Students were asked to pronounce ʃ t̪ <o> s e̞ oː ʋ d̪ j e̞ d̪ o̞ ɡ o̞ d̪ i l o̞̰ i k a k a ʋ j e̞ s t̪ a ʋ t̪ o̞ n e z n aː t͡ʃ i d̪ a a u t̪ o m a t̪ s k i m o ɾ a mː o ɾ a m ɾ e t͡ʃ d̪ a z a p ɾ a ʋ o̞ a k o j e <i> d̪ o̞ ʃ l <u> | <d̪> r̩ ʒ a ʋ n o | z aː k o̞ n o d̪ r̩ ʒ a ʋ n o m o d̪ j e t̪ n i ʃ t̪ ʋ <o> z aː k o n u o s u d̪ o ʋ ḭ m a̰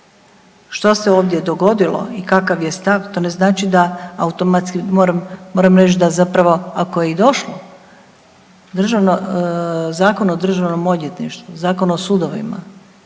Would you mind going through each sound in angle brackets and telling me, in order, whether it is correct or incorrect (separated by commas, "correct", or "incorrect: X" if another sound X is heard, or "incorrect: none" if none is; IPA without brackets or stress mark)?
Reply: correct, correct, incorrect: o, correct, incorrect: u